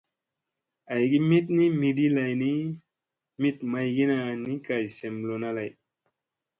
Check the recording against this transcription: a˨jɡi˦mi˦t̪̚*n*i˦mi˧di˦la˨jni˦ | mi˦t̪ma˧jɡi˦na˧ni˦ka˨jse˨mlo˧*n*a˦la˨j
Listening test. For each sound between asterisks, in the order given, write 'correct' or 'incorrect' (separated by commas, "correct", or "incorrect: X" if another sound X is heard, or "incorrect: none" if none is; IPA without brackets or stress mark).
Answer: correct, correct